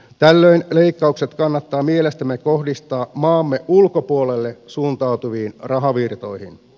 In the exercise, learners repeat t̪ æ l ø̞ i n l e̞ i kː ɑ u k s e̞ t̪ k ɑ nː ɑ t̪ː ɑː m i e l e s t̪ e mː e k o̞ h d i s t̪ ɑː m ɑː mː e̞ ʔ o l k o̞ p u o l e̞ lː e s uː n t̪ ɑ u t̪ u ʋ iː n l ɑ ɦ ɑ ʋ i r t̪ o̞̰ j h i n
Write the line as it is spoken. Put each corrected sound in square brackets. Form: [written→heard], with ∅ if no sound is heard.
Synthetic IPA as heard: t̪ æ [l→lː] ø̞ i n l e̞ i kː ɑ u k s e̞ t̪ k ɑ nː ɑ t̪ː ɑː m i e l e s t̪ [e→æ] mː e k o̞ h d i s t̪ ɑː m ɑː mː e̞ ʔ [o→u] l k o̞ p u o l e̞ lː e s uː n t̪ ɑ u t̪ u ʋ iː n [l→r] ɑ ɦ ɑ ʋ i r t̪ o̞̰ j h i n

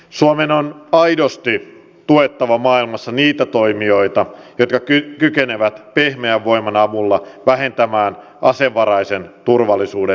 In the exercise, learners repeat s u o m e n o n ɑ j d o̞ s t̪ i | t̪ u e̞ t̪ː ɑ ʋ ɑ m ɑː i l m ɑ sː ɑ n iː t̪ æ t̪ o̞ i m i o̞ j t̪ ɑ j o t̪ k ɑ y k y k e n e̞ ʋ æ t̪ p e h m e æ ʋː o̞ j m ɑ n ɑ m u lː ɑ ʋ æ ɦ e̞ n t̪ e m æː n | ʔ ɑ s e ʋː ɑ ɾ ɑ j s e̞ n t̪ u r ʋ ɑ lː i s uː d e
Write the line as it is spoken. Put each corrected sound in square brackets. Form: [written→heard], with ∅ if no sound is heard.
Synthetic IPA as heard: s u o m e n o n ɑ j d o̞ s t̪ i | t̪ u e̞ t̪ː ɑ ʋ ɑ m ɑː i l m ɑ sː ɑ n iː t̪ æ t̪ o̞ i m i o̞ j t̪ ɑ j o t̪ k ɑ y k y k e n e̞ ʋ æ t̪ p e h m e æ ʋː o̞ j m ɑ n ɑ m u lː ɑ ʋ æ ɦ e̞ n t̪ [e→æ] m æː n | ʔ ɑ s e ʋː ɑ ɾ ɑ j s e̞ n t̪ u r ʋ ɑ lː i s uː d e

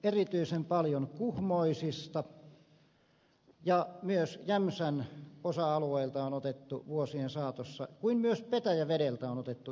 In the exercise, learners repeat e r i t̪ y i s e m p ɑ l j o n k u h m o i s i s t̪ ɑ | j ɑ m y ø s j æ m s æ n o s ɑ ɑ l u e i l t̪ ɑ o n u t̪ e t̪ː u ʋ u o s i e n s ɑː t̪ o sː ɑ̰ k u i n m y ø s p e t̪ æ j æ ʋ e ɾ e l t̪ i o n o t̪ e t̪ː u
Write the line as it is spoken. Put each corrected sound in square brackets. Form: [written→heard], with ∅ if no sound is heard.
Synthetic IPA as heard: e r i t̪ y i s e m p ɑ l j o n k u h m o i s i s t̪ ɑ | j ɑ m y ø s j æ m s æ n o s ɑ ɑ l u e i l t̪ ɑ o n [u→o] t̪ e t̪ː u ʋ u o s i e n s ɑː t̪ o sː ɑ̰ k u i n m y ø s p e t̪ æ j æ ʋ e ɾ e l t̪ [i→æ] o n o t̪ e t̪ː u

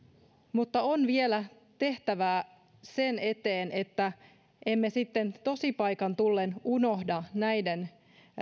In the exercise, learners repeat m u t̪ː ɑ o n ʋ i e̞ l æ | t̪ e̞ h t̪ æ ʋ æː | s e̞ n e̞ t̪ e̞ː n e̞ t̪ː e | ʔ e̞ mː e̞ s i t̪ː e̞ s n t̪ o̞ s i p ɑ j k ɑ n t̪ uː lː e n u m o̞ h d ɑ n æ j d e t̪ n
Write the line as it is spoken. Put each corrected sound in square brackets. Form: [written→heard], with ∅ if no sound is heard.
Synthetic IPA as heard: m u t̪ː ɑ o n ʋ i e̞ l æ | t̪ e̞ h t̪ æ ʋ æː | s e̞ n e̞ t̪ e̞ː n e̞ t̪ː [e→æ] | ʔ e̞ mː e̞ s i t̪ː e̞ [s→∅] n t̪ o̞ s i p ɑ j k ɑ n t̪ [uː→u] lː e n u [m→n] o̞ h d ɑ n æ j d e [t̪→∅] n

